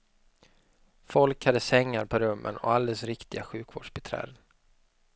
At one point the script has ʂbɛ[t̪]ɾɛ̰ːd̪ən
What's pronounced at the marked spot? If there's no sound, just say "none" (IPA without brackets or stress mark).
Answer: t̪ʰ